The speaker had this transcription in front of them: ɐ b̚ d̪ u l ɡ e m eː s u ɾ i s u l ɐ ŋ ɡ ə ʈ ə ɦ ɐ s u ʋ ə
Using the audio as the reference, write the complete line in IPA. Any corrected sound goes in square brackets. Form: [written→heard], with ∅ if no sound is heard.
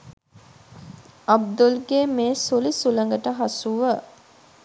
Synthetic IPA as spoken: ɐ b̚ d̪ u l ɡ e m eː s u [ɾ→l] i s u l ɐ ŋ ɡ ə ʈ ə ɦ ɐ s u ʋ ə